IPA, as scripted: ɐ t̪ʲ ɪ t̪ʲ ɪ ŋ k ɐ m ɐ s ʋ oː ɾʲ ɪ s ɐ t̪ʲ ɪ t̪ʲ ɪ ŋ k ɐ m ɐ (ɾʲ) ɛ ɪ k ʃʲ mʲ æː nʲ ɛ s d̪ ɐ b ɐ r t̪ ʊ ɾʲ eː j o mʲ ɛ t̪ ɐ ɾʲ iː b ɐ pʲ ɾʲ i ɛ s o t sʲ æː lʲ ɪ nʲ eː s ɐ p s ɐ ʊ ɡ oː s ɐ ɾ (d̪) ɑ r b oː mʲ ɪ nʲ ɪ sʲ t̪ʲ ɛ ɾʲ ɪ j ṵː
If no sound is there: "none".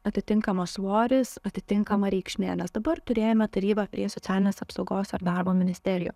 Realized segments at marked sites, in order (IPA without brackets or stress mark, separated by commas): ɾʲ, d̪